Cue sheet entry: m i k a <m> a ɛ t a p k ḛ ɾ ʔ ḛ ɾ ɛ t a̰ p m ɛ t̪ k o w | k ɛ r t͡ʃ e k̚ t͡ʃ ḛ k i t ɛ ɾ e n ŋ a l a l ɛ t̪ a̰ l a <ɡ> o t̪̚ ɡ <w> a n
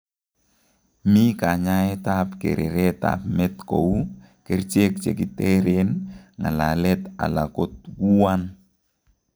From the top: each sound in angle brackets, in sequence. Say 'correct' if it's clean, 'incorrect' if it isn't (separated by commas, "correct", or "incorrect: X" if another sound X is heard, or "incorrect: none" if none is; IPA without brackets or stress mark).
incorrect: ɲ, incorrect: k, incorrect: u